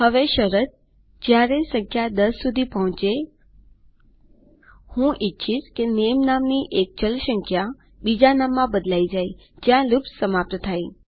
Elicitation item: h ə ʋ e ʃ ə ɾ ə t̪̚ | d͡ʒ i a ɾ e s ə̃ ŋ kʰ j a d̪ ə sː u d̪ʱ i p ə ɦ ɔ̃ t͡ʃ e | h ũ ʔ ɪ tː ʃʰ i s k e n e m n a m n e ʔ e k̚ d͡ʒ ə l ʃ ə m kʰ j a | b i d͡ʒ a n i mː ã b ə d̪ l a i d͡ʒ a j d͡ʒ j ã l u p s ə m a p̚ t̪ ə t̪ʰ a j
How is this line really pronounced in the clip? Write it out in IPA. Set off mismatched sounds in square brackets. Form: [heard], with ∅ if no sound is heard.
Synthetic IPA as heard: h ə ʋ e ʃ ə ɾ ə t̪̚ | d͡ʒ [j] a ɾ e s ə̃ ŋ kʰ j a d̪ ə sː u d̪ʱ i p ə ɦ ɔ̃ t͡ʃ e | h ũ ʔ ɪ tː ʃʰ i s k e n e m n a m n [i] ʔ e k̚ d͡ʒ ə l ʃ ə [ŋ] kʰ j a | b i d͡ʒ a n [a] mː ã b ə d̪ l a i d͡ʒ a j d͡ʒ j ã l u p s ə m a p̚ t̪ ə t̪ʰ a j

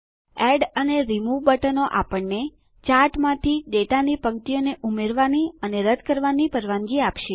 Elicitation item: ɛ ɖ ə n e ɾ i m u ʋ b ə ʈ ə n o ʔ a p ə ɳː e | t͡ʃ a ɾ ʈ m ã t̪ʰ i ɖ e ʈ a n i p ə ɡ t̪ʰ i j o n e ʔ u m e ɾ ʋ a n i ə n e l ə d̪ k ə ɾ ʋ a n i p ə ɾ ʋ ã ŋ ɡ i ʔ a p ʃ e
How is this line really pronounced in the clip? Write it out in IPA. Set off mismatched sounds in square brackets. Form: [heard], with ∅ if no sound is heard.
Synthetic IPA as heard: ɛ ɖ ə n e ɾ i m u ʋ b ə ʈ ə n o ʔ a p ə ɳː e | t͡ʃ a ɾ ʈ m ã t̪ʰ i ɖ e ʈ a n i p ə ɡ [t̪] i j o n e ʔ u m e ɾ ʋ a n i ə n e [ɾ] ə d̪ k ə ɾ ʋ a n i p ə ɾ ʋ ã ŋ ɡ i [∅] a p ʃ e

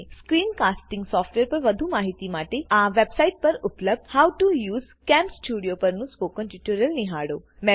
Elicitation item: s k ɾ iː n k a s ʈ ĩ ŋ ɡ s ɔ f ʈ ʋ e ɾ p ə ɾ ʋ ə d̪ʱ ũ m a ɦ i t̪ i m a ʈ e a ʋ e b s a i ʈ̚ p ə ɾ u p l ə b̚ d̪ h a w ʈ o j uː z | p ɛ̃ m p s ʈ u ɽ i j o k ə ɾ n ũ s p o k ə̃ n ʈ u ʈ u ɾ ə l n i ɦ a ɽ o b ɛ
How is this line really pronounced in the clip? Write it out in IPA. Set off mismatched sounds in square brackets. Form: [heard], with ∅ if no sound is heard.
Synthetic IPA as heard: s k ɾ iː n k a s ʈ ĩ ŋ ɡ s ɔ f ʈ ʋ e ɾ p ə ɾ ʋ ə d̪ʱ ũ m a ɦ i t̪ i m a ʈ e a ʋ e b s a i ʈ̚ p ə ɾ u p l ə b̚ d̪ h a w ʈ [u] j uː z | [k] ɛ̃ m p s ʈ u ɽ i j o [p] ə ɾ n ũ s p o k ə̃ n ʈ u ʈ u ɾ ə l n i ɦ a ɽ o [m] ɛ

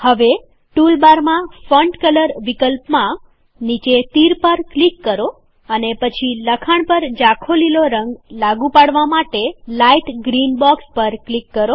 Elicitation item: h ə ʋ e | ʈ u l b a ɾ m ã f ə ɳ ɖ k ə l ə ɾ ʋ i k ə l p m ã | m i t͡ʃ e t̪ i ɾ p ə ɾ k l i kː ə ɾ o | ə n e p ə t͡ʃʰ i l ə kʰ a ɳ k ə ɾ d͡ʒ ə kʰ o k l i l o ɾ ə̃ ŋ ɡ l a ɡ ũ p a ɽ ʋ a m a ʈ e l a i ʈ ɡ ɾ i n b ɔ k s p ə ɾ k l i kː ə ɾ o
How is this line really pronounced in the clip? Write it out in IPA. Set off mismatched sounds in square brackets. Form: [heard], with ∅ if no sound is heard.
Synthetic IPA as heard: h ə ʋ e | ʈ u l b a ɾ m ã f ə ɳ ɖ k ə l ə ɾ ʋ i k ə l p m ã | [n] i t͡ʃ e t̪ i ɾ p ə ɾ k l i kː ə ɾ o | ə n e p ə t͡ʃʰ i l ə kʰ a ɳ [p] ə ɾ d͡ʒ [a] kʰ o [∅] l i l o ɾ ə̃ ŋ ɡ l a ɡ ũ p a ɽ ʋ a m a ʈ e l a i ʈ ɡ ɾ i n b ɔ k s p ə ɾ k l i kː ə ɾ o

